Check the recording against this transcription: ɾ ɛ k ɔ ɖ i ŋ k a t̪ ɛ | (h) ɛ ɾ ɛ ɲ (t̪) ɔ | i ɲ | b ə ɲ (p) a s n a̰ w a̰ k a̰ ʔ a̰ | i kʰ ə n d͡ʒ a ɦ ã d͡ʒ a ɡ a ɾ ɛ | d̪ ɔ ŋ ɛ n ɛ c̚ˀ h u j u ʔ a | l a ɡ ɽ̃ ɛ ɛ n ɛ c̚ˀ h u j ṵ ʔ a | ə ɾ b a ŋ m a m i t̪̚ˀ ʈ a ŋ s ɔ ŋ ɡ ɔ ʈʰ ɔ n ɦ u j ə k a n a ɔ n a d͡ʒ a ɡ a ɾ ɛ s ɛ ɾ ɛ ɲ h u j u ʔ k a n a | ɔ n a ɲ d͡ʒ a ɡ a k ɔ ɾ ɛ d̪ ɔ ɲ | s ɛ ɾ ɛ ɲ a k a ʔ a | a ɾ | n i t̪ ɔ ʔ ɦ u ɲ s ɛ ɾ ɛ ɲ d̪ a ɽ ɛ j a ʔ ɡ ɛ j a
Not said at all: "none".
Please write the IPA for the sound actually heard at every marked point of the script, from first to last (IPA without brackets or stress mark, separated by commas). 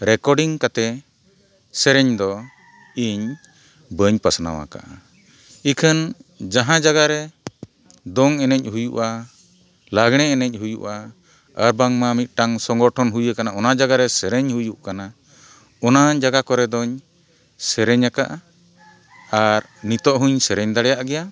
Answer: s, d̪, p